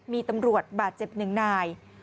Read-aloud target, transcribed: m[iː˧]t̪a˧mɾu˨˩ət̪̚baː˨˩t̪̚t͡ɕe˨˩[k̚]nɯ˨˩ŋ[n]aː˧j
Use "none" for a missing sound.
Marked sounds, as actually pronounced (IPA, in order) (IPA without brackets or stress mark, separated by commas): iː˧, p̚, n